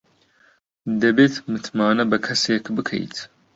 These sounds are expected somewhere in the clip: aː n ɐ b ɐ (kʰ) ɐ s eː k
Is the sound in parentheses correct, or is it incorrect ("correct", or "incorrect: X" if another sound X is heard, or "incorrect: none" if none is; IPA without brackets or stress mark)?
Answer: correct